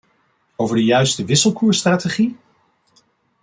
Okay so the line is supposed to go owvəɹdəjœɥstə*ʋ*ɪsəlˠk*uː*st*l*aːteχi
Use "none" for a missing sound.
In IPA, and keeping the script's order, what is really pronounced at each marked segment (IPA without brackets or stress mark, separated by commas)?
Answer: ʋ, uː, r